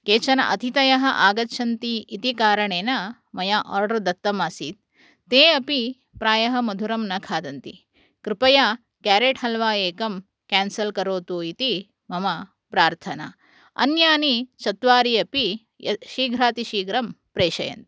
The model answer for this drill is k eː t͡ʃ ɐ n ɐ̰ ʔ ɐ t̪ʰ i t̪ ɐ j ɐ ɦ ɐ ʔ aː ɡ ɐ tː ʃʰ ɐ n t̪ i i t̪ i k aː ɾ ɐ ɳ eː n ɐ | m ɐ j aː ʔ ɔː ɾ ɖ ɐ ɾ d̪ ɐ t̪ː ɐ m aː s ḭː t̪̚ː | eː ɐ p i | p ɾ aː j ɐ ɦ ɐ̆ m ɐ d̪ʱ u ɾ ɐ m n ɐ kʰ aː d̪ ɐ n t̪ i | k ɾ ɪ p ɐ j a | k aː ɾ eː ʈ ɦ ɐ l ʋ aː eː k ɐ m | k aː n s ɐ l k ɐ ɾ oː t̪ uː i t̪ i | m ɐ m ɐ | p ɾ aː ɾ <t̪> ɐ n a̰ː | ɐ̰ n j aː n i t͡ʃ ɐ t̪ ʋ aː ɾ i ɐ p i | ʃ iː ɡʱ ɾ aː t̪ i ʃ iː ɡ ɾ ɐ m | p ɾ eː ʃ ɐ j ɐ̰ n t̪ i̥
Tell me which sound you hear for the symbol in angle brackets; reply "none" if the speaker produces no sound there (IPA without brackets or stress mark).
t̪ʰ